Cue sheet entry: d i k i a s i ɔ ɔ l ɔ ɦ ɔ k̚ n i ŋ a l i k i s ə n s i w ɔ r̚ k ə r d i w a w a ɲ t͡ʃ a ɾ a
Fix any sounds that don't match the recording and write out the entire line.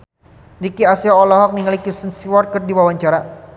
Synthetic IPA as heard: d i k i a s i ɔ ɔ l ɔ ɦ ɔ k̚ n i ŋ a l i k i s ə n s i w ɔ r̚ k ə r d i w a w a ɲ t͡ʃ a ɾ a